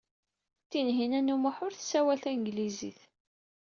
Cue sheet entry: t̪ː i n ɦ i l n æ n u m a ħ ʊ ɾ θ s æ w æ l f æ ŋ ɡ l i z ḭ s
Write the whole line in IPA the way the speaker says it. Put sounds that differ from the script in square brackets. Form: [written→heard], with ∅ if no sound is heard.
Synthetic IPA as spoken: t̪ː i n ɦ i [l→∅] n æ n u m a ħ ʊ ɾ θ s æ w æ l [f→θ] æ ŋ ɡ l i z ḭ [s→θ]